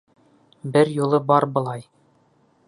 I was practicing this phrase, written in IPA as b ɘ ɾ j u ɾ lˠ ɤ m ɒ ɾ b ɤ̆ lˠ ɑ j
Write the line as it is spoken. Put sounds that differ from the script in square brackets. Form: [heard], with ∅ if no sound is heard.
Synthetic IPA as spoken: b ɘ ɾ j u [∅] lˠ ɤ [b] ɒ ɾ b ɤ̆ lˠ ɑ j